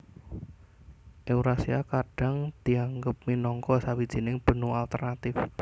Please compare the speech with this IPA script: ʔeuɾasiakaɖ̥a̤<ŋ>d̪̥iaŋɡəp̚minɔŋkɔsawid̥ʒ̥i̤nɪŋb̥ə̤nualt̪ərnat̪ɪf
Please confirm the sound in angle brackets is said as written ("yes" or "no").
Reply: yes